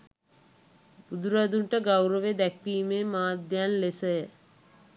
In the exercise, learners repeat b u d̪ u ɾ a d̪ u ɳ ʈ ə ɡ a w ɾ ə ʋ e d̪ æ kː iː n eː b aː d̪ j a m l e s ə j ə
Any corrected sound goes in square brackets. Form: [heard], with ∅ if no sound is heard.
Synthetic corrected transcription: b u d̪ u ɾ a d̪ u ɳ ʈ ə ɡ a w ɾ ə ʋ e d̪ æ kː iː [m] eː [m] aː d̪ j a [n] l e s ə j ə

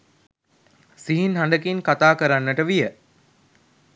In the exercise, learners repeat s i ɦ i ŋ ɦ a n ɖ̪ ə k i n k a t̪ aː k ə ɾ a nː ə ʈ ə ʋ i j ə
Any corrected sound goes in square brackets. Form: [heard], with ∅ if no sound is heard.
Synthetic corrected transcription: s i ɦ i [n] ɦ a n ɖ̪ ə k i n k a t̪ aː k ə ɾ a nː ə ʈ ə ʋ i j ə

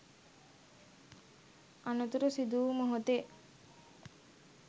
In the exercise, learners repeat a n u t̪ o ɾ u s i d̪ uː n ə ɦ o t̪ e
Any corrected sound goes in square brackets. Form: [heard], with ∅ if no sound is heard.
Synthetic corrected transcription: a n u t̪ [u] ɾ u s i d̪ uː [m] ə ɦ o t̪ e

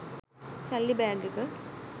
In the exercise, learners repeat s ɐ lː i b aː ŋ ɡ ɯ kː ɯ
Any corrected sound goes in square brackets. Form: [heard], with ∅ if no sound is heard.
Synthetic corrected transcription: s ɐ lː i b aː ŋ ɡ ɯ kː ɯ

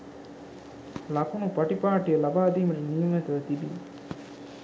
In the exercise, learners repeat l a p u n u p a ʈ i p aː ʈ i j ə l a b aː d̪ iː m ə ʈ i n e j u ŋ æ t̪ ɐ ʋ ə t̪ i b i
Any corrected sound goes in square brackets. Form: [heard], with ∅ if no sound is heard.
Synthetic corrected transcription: l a [k] u n u p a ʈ i p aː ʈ i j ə l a b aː d̪ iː m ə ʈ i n [i] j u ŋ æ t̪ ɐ ʋ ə t̪ i b i

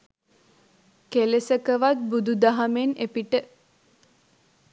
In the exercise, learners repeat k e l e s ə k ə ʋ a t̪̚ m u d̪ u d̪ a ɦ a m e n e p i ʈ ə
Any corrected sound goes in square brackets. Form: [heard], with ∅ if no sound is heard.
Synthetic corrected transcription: k e l e s ə k ə ʋ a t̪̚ [b] u d̪ u d̪ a ɦ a m e n e p i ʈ ə

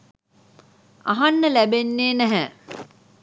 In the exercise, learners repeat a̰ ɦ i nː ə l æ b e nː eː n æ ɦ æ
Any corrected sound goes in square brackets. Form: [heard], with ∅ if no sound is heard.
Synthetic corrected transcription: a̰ ɦ [a] nː ə l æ b e nː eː n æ ɦ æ

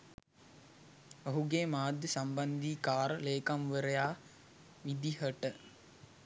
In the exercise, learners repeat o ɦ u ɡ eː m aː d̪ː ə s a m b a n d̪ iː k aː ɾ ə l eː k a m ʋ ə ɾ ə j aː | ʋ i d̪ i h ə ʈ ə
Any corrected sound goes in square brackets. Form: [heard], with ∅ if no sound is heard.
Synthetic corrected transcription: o ɦ u ɡ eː m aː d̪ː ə s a m b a n d̪ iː k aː ɾ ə l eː k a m ʋ ə ɾ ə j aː | ʋ i d̪ i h ə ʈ ə

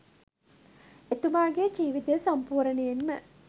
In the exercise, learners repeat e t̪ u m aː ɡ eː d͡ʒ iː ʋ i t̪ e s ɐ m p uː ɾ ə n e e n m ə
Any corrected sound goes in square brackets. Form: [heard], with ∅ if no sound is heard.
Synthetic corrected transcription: e t̪ u m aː ɡ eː d͡ʒ iː ʋ i t̪ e s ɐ m p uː ɾ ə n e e n m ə

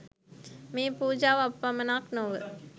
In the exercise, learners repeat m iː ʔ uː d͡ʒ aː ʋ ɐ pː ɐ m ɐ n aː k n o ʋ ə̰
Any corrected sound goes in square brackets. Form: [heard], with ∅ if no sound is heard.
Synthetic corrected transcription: m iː [p] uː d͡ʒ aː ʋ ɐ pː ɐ m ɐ n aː k n o ʋ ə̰

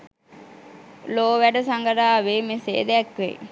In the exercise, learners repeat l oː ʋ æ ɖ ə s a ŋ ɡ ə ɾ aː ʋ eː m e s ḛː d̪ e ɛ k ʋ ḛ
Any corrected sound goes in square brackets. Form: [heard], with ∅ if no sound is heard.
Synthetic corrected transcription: l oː ʋ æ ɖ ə s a ŋ ɡ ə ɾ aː ʋ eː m e s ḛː d̪ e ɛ k ʋ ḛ

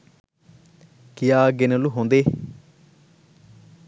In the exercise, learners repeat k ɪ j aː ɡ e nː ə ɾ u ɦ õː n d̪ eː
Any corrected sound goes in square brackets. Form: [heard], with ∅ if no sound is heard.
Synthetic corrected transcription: k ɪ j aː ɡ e [n] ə [l] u ɦ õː n d̪ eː

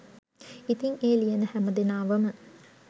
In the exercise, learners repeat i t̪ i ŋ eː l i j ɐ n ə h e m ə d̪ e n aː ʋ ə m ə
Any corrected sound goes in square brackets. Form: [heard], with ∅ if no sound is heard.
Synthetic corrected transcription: i t̪ i ŋ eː l i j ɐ n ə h [æ] m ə d̪ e n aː ʋ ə m ə

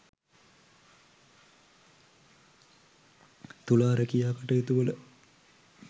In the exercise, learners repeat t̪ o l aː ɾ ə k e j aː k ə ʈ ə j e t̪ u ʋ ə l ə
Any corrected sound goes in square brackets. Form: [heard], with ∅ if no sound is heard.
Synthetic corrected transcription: t̪ [u] l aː ɾ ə k [i] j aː k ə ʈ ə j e t̪ u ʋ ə l ə

